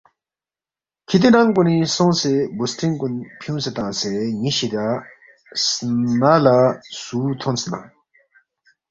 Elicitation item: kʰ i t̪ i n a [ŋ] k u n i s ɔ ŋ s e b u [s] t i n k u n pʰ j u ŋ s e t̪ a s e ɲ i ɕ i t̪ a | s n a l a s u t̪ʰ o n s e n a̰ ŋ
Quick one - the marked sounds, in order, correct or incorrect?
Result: correct, correct

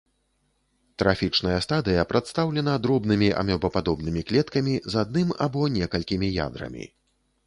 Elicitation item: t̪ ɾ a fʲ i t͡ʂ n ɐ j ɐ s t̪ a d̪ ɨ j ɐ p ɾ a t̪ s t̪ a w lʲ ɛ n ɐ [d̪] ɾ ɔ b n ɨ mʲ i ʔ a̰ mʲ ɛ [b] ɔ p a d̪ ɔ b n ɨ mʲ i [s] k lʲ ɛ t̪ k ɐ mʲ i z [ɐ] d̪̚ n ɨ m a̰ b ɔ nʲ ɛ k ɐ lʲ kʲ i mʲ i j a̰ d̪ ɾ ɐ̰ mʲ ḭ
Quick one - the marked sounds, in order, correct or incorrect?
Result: correct, correct, incorrect: none, incorrect: a

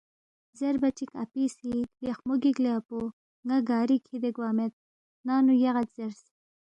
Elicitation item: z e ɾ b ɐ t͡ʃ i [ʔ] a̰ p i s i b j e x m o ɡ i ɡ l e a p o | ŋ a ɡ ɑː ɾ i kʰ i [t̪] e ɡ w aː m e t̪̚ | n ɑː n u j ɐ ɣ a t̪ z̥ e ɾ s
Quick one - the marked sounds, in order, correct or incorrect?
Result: incorrect: k, incorrect: d̪

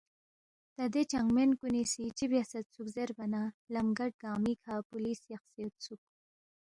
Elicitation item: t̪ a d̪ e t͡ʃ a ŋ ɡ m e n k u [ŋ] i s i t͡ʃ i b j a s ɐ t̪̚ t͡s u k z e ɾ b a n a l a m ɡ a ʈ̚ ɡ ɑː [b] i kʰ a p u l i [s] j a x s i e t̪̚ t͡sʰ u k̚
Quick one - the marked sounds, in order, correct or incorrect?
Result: incorrect: n, incorrect: m, correct

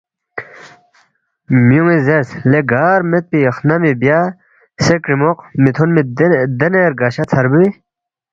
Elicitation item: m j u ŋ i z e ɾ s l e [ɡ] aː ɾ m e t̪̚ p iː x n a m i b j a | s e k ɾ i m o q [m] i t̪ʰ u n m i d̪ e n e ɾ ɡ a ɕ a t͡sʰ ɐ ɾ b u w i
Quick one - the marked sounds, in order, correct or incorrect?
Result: correct, correct

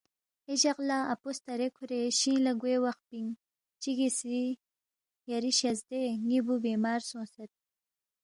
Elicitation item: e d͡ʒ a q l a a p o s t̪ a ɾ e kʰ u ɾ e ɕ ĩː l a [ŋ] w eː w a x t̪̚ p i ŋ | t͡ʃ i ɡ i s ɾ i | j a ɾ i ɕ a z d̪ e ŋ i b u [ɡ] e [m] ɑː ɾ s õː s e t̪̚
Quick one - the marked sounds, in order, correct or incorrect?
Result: incorrect: ɡ, incorrect: b, correct

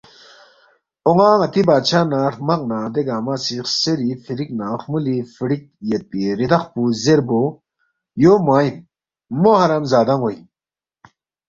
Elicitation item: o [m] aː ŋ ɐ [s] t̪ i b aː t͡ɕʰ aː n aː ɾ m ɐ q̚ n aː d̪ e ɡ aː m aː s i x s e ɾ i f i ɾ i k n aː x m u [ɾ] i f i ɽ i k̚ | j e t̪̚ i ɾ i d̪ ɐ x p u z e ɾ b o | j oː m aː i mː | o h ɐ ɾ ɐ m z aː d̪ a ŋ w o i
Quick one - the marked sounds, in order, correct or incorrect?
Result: incorrect: ŋ, incorrect: none, incorrect: l

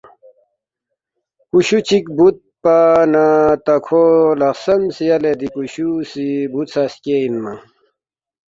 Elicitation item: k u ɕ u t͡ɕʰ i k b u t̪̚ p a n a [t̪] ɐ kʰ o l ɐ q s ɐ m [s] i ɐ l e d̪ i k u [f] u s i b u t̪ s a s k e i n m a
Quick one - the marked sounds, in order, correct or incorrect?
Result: correct, correct, incorrect: ɕ

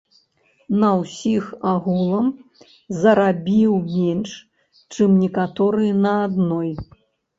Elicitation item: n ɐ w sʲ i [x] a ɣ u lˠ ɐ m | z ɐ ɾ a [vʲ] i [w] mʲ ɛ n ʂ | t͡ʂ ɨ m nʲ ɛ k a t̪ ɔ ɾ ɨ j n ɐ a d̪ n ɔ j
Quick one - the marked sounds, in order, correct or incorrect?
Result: correct, incorrect: bʲ, correct

